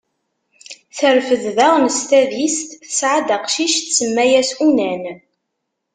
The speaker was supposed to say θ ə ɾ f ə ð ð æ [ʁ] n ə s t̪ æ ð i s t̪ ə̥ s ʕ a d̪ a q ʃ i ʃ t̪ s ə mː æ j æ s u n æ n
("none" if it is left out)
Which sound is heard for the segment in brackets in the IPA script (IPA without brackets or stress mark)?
ʁ